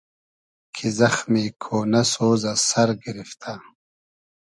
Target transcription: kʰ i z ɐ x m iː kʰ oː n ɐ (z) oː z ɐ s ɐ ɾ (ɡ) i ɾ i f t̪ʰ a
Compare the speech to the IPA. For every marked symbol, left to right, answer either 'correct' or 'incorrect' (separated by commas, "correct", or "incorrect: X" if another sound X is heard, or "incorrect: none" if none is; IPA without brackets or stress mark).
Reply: incorrect: s, correct